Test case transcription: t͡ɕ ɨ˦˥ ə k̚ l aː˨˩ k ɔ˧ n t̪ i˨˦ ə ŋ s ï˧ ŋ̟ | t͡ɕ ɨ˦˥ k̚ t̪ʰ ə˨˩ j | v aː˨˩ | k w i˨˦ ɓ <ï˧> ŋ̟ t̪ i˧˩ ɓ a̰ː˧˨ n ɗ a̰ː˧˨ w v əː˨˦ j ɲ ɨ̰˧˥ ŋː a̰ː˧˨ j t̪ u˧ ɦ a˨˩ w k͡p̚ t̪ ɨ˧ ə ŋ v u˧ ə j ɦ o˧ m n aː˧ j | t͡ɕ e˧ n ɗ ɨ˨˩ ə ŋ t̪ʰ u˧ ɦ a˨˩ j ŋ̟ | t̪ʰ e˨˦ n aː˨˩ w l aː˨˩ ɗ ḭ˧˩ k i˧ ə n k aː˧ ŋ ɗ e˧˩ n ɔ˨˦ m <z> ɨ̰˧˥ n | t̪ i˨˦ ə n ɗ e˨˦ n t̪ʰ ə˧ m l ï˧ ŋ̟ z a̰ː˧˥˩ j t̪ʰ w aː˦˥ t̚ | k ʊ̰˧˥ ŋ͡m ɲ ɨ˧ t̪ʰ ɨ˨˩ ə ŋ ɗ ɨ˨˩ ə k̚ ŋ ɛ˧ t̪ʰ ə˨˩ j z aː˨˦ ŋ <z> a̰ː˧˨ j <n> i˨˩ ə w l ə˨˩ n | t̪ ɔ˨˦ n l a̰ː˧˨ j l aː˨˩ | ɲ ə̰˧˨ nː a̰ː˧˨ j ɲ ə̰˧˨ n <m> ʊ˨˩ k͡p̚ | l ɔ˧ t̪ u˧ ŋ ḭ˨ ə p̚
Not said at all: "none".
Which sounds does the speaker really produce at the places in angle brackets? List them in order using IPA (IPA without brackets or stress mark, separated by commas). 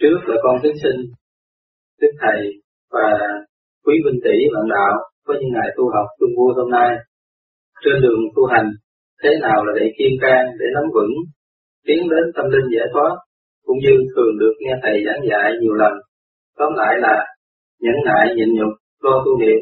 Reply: ï˧, v, z, ɲ, ɲ